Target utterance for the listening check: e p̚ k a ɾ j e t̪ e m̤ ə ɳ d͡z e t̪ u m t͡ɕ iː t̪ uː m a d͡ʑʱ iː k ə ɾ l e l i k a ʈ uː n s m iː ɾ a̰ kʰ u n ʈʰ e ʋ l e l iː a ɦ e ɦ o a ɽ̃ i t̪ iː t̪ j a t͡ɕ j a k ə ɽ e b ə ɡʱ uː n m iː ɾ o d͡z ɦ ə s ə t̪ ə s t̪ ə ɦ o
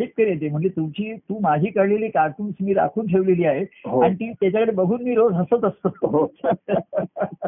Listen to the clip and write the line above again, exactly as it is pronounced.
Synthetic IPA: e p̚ k ə ɾ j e t̪ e m̤ ə ɳ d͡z e t̪ u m t͡ɕ iː t̪ uː m a d͡ʑʱ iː k ə ɾ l e l iː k a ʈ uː n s m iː ɾ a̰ kʰ uː n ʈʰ e ʋ l e l iː a ɦ e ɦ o a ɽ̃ i t̪ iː t̪ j a t͡ɕ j a k ə ɽ e b ə ɡʱ uː n m iː ɾ o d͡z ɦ ə s ə t̪ ə s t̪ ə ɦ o